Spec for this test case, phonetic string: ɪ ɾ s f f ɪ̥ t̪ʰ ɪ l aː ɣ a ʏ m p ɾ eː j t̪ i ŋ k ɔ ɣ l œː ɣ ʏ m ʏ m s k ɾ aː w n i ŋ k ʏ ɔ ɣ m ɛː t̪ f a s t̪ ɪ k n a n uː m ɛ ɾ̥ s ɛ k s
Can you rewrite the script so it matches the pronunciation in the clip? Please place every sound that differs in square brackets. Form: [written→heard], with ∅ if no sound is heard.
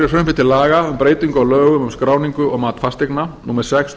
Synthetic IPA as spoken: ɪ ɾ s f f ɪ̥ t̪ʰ ɪ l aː ɣ a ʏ m p ɾ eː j t̪ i ŋ k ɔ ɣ l œː ɣ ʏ m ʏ m s k ɾ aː w n i ŋ k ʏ ɔ ɣ m [ɛː→aː] t̪ f a s t̪ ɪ k n a n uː m ɛ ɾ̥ s ɛ k s